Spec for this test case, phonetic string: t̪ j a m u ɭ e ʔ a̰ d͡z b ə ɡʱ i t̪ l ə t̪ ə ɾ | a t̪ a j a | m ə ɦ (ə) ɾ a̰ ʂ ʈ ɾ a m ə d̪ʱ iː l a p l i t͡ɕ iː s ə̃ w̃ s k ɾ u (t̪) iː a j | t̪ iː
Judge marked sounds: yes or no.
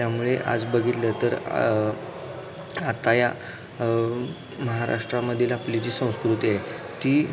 no, yes

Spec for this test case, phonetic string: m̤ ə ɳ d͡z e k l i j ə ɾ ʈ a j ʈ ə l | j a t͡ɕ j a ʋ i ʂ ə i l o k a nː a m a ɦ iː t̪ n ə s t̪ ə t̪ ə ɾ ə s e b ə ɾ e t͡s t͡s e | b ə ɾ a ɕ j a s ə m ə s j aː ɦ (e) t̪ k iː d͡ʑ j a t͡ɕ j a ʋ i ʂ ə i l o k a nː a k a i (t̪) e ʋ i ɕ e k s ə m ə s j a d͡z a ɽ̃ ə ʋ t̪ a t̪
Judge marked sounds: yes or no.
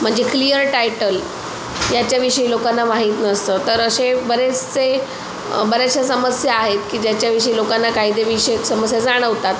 yes, no

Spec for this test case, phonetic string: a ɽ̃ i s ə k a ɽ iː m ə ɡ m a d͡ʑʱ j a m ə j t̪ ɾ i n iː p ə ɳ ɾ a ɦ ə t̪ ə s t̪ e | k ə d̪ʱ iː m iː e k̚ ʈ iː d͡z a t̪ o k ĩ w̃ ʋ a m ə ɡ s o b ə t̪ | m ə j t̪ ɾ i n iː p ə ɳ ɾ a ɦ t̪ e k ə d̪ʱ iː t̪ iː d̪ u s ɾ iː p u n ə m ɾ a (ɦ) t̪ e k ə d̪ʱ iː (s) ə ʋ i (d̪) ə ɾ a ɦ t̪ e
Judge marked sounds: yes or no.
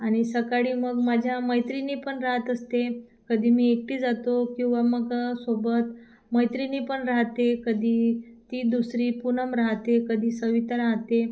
yes, yes, no

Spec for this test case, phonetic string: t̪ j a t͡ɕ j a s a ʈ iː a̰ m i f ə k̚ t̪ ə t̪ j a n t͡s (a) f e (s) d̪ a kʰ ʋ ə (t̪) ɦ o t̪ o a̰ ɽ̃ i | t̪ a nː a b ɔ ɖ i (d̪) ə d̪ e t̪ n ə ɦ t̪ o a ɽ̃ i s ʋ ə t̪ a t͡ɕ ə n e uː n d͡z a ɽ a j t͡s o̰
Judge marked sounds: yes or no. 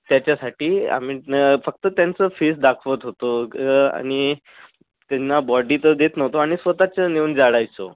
no, yes, yes, no

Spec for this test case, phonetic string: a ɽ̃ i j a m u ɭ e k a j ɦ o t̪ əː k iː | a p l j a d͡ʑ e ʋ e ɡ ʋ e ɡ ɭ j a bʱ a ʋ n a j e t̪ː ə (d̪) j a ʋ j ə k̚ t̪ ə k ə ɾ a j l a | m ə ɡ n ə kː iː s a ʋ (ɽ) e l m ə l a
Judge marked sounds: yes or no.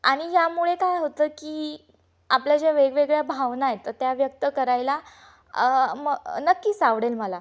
no, yes

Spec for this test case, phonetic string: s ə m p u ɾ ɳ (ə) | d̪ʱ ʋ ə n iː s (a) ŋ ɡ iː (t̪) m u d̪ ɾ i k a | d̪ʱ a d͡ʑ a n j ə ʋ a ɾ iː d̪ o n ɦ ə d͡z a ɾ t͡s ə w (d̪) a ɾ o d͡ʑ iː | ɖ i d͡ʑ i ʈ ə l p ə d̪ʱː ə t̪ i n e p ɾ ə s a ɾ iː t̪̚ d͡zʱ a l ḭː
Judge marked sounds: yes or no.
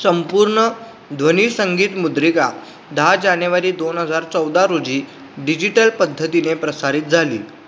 yes, no, yes, yes

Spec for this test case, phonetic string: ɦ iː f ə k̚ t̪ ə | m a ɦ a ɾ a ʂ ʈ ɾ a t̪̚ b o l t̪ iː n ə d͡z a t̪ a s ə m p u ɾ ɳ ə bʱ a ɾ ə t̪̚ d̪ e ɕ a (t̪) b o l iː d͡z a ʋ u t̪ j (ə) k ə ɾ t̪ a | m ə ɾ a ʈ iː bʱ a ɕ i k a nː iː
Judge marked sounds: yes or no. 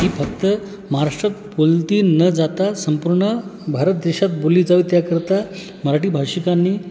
yes, no

